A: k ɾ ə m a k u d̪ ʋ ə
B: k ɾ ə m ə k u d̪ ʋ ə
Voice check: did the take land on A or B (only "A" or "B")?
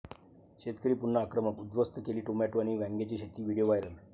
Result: B